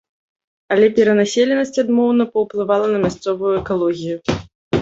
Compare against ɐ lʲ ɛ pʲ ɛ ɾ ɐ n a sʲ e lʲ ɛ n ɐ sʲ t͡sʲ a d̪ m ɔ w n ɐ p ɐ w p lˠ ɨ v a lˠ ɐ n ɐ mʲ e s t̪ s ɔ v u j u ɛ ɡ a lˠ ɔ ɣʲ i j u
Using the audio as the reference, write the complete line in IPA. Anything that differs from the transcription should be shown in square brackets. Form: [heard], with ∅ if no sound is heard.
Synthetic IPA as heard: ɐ lʲ ɛ pʲ ɛ ɾ ɐ n a sʲ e lʲ ɛ n ɐ sʲ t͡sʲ a d̪ m ɔ w n ɐ p ɐ w p lˠ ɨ v a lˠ ɐ n ɐ mʲ [a] s t̪ s ɔ v u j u ɛ [k] a lˠ ɔ ɣʲ i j u